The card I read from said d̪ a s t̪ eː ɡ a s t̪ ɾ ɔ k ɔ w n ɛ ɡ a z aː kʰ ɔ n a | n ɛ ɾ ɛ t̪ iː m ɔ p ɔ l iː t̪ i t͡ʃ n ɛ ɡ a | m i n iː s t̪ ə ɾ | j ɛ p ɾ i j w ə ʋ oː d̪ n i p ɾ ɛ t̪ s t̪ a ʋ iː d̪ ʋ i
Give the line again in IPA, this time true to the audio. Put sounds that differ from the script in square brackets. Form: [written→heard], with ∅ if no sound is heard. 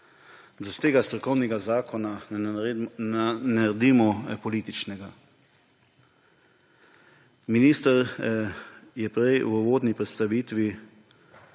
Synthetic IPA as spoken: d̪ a s t̪ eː ɡ a s t̪ ɾ ɔ k ɔ w n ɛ ɡ a z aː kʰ ɔ n a | n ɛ ɾ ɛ [t̪→d̪] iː m ɔ p ɔ l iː t̪ i t͡ʃ n ɛ ɡ a | m i n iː s t̪ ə ɾ | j ɛ p ɾ [i→ɛ] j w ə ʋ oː d̪ n i p ɾ ɛ t̪ s t̪ a ʋ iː [d̪→t̪] ʋ i